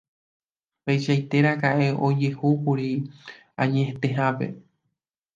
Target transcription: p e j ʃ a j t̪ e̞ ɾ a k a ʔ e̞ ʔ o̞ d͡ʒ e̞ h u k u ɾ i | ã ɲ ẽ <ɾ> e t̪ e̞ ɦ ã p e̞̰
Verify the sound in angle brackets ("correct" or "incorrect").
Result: incorrect